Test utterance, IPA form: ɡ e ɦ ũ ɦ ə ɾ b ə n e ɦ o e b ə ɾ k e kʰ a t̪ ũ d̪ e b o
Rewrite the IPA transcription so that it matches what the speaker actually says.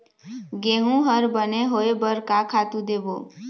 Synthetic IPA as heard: ɡ e ɦ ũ ɦ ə ɾ b ə n e ɦ o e b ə ɾ k a kʰ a t̪ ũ d̪ e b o